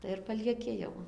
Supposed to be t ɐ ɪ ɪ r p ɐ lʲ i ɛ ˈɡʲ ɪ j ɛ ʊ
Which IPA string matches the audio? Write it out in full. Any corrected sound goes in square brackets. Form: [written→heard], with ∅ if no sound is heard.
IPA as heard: t ɐ ɪ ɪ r p ɐ lʲ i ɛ [ˈɡʲ→ˈkʲ] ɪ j ɛ ʊ